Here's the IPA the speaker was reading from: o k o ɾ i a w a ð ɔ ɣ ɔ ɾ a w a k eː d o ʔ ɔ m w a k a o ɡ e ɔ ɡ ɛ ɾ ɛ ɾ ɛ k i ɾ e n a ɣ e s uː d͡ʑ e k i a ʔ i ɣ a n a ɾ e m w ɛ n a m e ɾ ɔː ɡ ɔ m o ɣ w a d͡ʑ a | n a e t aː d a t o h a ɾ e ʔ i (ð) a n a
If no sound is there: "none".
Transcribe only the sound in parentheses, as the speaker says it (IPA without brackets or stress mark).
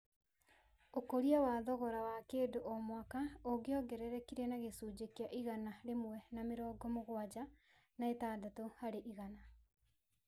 ɣ